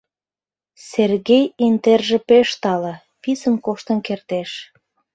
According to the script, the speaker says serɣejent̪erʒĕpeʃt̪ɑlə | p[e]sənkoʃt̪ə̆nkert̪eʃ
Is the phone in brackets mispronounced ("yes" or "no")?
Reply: yes